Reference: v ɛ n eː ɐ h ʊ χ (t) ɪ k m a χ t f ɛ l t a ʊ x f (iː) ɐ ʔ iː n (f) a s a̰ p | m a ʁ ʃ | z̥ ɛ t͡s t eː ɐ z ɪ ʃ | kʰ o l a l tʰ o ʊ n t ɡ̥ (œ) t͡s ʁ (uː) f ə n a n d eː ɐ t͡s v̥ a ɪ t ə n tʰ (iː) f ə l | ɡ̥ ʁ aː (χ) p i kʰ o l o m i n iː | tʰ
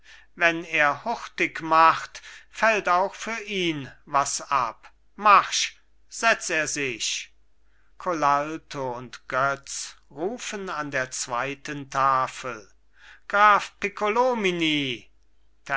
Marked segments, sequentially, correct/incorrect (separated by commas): correct, incorrect, incorrect, correct, correct, incorrect, incorrect